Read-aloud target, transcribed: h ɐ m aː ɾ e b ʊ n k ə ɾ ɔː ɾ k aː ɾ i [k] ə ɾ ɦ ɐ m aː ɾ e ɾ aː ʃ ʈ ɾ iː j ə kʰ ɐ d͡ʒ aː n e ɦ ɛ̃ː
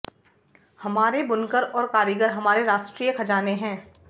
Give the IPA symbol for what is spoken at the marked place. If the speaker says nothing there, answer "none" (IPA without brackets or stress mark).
ɡ